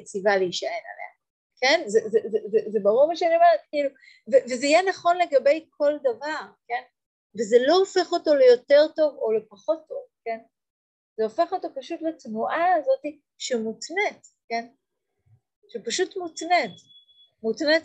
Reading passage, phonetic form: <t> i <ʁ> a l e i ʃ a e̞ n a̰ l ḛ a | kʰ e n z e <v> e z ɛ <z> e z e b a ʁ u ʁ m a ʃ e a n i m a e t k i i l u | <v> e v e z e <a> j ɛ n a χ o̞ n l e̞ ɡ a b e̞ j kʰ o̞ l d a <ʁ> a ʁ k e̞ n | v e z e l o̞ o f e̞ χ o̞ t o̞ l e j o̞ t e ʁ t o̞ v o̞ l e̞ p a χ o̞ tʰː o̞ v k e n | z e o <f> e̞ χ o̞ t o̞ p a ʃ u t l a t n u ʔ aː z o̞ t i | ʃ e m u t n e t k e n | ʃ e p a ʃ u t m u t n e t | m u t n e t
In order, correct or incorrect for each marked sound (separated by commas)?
incorrect, incorrect, incorrect, correct, correct, incorrect, incorrect, correct